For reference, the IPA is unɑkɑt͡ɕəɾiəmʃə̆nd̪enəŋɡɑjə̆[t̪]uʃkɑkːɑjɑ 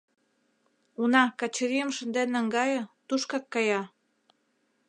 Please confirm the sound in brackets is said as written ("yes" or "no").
yes